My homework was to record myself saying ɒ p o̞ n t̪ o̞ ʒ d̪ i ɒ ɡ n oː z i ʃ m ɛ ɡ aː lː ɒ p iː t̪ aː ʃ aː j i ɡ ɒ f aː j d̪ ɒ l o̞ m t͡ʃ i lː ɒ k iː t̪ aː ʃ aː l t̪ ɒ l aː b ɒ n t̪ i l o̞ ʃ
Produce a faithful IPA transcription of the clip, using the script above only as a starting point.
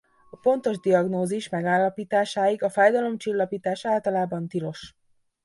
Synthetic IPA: ɒ p o̞ n t̪ o̞ ʒ d̪ i ɒ ɡ n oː z i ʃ m ɛ ɡ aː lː ɒ p iː t̪ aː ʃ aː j i ɡ ɒ f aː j d̪ ɒ l o̞ m t͡ʃ i lː ɒ p iː t̪ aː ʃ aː l t̪ ɒ l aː b ɒ n t̪ i l o̞ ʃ